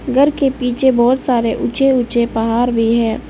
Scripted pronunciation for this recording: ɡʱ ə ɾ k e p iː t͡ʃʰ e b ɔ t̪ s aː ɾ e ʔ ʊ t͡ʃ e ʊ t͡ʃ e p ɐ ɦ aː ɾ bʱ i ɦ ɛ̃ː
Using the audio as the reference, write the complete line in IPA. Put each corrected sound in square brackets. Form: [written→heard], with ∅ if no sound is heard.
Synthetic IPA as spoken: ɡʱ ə ɾ k e p iː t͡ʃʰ e b [ɔ→ɔː] t̪ s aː ɾ e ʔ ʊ t͡ʃ e ʊ t͡ʃ e p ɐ ɦ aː ɾ bʱ i ɦ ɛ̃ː

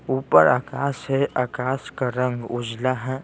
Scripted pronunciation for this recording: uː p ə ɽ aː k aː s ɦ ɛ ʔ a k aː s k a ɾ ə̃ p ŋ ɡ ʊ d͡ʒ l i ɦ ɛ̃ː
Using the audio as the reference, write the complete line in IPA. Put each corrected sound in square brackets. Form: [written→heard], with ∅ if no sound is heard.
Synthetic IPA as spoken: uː p ə [ɽ→ɾ] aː k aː s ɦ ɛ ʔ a k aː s k a ɾ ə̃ [p→∅] ŋ ɡ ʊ d͡ʒ l [i→a] ɦ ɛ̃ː

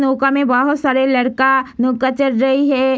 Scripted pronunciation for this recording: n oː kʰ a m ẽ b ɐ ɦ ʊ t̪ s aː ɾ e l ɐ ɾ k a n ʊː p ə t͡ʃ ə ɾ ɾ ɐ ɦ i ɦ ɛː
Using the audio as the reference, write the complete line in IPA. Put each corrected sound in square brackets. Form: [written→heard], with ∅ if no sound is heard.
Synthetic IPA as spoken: n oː [kʰ→k] a m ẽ b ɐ ɦ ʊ t̪ s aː ɾ e l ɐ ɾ k a n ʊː [p→k] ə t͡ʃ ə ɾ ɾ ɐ ɦ i ɦ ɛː

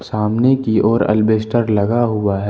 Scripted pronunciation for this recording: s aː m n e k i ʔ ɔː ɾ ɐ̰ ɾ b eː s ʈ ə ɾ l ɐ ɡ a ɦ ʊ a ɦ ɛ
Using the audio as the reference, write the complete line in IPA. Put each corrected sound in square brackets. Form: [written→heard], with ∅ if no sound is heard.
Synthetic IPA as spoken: s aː m n e k i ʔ ɔː ɾ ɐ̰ [ɾ→l] b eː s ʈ ə ɾ l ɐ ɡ a ɦ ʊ a ɦ ɛ

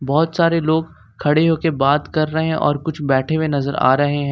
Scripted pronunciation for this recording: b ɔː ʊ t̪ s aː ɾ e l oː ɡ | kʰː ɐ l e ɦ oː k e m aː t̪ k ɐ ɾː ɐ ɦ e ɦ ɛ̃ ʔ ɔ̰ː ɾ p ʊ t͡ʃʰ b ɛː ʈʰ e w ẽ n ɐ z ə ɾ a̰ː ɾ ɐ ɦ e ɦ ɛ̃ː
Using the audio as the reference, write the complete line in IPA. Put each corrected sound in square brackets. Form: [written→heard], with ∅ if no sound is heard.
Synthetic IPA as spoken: b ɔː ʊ t̪ s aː ɾ e l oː ɡ | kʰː ɐ [l→ɽ] e ɦ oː k e [m→b] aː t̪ k ɐ ɾː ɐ ɦ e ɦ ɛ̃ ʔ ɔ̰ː ɾ [p→k] ʊ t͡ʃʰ b ɛː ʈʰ e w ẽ n ɐ z ə ɾ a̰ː ɾ ɐ ɦ e ɦ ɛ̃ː

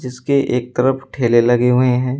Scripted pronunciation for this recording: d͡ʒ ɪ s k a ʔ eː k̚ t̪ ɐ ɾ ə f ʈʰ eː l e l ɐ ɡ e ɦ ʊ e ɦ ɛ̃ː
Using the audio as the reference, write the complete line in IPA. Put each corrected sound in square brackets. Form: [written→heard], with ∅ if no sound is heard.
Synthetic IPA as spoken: d͡ʒ ɪ s k [a→e] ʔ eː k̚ t̪ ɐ ɾ ə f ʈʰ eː l e l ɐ ɡ e ɦ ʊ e ɦ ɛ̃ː

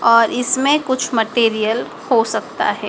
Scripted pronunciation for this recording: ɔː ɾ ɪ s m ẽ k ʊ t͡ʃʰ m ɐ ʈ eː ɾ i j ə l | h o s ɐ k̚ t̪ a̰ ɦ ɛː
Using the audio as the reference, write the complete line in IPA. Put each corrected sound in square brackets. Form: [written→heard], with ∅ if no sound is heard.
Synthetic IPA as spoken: ɔː ɾ ɪ s m ẽ k ʊ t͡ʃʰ m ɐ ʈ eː ɾ i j ə l | h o s ɐ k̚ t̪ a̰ ɦ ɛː

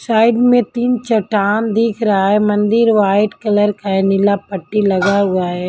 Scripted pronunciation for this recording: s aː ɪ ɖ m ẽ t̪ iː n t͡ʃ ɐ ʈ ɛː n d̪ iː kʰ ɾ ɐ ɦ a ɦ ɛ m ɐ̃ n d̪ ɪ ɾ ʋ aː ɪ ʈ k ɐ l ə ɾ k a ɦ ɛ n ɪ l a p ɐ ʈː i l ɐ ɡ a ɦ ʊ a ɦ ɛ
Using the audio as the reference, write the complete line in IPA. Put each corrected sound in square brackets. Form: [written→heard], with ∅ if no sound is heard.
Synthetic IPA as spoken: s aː ɪ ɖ m ẽ t̪ iː n t͡ʃ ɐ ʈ [ɛː→aː] n d̪ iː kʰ ɾ ɐ ɦ a ɦ ɛ m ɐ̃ n d̪ ɪ ɾ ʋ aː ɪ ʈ k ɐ l ə ɾ k a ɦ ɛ n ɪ l a p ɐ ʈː i l ɐ ɡ a ɦ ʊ a ɦ ɛ

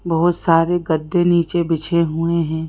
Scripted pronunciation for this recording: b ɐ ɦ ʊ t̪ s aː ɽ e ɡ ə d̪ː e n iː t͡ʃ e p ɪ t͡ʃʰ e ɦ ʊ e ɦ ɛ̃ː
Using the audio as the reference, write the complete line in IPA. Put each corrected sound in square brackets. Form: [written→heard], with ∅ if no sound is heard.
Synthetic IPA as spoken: b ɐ ɦ ʊ t̪ s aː [ɽ→ɾ] e ɡ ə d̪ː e n iː t͡ʃ e [p→b] ɪ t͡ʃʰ e ɦ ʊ e ɦ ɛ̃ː

